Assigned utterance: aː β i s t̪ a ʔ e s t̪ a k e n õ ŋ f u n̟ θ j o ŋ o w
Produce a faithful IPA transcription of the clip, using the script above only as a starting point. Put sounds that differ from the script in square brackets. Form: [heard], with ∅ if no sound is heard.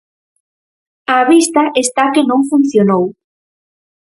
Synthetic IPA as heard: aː β i s t̪ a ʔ e s t̪ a k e n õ ŋ f u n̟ θ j o [n] o w